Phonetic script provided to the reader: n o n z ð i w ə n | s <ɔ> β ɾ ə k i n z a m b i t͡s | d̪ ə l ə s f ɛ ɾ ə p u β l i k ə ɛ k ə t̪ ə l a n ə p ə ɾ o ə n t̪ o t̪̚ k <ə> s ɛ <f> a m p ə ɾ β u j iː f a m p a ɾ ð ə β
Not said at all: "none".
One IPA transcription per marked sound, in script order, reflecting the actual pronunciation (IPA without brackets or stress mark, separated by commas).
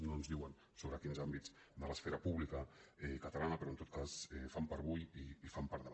o, a, f